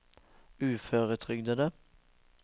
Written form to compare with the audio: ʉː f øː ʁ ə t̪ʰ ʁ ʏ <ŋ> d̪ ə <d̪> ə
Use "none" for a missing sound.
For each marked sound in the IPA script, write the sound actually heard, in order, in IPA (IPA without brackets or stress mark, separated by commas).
ɡ, d̪